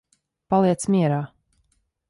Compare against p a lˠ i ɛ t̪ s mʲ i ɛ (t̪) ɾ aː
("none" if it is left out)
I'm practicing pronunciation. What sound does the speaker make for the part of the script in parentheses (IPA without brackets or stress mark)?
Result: none